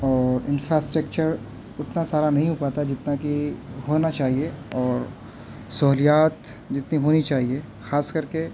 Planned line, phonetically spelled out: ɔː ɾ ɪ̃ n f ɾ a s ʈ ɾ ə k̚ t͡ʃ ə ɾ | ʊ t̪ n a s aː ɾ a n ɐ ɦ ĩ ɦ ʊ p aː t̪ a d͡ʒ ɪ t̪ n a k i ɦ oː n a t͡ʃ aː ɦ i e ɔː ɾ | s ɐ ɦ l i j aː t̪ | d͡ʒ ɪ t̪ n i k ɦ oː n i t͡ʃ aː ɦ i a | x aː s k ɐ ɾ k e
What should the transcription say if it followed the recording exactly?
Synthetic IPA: ɔː ɾ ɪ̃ n f ɾ a s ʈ ɾ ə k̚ t͡ʃ ə ɾ | ʊ t̪ n a s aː ɾ a n ɐ ɦ ĩ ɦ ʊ p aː t̪ a d͡ʒ ɪ t̪ n a k i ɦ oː n a t͡ʃ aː ɦ i e ɔː ɾ | s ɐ ɦ l i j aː t̪ | d͡ʒ ɪ t̪ n i ɦ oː n i t͡ʃ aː ɦ i e | x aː s k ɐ ɾ k e